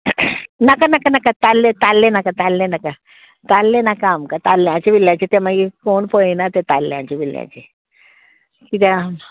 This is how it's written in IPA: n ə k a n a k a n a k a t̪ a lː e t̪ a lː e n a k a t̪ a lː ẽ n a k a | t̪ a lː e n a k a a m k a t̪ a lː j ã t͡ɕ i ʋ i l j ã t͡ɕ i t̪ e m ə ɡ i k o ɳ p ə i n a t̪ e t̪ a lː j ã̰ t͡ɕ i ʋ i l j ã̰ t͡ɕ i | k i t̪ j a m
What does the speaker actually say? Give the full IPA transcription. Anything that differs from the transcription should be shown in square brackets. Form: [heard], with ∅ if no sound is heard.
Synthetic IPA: n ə k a n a k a n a k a t̪ a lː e t̪ a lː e n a k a t̪ a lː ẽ n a k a | t̪ a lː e n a k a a m k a t̪ a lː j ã t͡ɕ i ʋ i l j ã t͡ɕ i t̪ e m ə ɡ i k o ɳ p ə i n a t̪ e t̪ a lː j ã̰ t͡ɕ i ʋ i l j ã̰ t͡ɕ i | k i t̪ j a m